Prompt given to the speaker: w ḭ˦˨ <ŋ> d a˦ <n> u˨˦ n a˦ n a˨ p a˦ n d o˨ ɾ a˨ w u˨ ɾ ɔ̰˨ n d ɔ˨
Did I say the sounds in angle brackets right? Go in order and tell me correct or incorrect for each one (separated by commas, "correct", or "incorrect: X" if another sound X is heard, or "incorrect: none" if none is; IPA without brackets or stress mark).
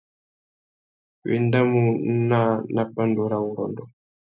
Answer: incorrect: n, incorrect: m